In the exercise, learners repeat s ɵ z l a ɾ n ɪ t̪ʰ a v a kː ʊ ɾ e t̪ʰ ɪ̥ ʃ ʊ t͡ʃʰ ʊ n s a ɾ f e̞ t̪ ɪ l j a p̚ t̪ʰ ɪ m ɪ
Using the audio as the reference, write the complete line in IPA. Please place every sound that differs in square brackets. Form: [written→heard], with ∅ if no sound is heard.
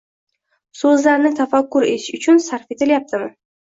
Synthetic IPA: s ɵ z l a ɾ n ɪ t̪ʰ a [v→f] a kː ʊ ɾ e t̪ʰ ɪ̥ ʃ ʊ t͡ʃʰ ʊ n s a ɾ f e̞ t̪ ɪ l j a p̚ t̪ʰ ɪ m ɪ